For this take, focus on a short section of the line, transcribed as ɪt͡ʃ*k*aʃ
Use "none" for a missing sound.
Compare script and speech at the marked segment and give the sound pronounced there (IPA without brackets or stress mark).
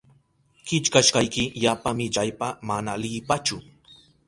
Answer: k